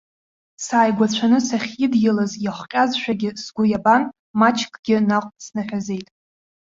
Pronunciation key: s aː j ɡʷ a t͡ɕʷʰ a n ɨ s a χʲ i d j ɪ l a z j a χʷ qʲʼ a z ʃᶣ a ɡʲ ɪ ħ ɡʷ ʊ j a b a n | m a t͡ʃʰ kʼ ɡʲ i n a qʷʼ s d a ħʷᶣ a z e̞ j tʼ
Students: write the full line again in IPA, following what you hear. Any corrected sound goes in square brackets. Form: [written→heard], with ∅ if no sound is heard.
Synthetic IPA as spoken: s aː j ɡʷ a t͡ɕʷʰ a n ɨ s a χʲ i d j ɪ l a z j a χʷ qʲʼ a z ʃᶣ a ɡʲ ɪ [ħ→s] ɡʷ ʊ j a b a n | m a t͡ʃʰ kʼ ɡʲ [i→ɪ] n a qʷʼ s [d→n] a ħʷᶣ a z e̞ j tʼ